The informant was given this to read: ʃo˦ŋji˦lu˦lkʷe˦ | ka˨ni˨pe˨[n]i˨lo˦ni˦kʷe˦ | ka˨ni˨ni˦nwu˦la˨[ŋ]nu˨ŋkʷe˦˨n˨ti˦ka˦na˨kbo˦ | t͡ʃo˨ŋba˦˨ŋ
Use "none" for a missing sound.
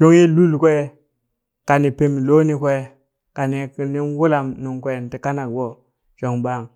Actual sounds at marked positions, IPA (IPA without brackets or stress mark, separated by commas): m, m